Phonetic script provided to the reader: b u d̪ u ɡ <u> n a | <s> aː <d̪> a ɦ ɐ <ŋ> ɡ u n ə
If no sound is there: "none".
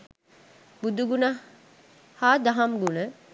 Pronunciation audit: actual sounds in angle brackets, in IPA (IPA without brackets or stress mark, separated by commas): u, h, d̪, m